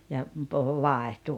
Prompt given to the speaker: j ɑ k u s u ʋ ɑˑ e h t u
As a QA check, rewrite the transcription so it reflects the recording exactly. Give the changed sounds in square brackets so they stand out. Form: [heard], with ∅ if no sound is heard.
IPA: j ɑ [p] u [h] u ʋ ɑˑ e h t u